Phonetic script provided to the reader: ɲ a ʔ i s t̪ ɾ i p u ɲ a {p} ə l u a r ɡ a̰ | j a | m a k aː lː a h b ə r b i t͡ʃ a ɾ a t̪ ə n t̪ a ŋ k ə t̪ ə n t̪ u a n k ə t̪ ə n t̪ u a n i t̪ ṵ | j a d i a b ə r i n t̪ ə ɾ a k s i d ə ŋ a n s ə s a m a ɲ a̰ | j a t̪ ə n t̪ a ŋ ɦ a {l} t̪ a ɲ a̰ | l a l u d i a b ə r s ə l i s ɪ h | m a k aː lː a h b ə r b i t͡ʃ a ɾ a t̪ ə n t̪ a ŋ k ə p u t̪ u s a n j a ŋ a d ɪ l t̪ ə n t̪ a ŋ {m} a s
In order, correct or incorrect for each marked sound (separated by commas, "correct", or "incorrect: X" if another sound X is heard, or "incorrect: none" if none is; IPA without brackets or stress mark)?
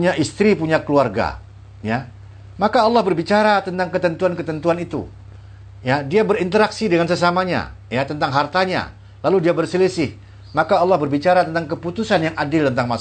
incorrect: k, incorrect: r, correct